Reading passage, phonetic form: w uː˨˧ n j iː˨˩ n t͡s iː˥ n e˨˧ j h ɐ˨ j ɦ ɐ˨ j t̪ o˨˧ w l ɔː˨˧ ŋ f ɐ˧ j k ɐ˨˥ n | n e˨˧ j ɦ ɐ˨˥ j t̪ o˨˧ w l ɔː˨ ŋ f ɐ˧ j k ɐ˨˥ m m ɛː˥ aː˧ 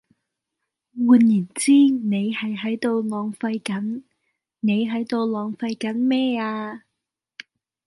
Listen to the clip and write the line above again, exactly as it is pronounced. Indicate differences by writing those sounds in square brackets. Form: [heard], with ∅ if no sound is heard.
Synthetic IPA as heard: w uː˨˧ n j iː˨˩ n t͡s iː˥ n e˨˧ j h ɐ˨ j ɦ [ɐ˨˥] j t̪ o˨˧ w l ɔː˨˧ ŋ f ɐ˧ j k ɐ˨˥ n | n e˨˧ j ɦ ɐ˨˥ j t̪ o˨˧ w l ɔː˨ ŋ f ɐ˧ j k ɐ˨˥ [n] m ɛː˥ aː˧

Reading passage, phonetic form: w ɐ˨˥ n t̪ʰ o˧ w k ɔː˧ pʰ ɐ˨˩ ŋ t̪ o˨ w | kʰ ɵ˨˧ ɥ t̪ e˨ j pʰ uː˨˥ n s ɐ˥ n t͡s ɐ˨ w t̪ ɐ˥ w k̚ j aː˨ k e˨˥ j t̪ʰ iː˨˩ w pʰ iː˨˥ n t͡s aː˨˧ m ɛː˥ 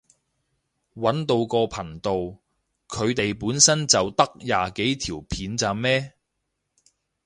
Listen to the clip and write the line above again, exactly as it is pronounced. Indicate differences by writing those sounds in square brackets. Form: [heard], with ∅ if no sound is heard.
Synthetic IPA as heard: w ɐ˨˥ n [t̪] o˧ w k ɔː˧ pʰ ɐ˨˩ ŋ t̪ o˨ w | kʰ ɵ˨˧ ɥ t̪ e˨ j [p] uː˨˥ n s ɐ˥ n t͡s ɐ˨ w t̪ ɐ˥ [∅] k̚ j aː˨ k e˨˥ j t̪ʰ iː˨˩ w pʰ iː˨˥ n t͡s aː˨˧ m ɛː˥

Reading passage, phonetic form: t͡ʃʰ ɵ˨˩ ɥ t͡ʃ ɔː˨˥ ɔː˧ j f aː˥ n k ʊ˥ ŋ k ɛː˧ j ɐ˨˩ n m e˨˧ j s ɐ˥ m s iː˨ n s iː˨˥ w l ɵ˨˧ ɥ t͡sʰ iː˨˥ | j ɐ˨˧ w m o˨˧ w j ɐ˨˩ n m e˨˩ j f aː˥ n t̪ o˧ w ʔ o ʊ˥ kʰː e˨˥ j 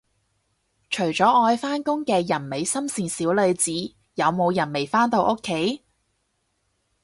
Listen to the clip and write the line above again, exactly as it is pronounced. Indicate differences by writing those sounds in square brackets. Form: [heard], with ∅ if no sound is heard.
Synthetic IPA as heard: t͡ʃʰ ɵ˨˩ ɥ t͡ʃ ɔː˨˥ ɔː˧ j f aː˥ n k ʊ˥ ŋ k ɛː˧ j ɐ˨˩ n m e˨˧ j s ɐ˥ m s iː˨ n s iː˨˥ w l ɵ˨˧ ɥ [t͡s] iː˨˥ | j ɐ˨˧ w m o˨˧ w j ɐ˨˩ n m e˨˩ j f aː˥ n t̪ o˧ w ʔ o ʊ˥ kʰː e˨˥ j

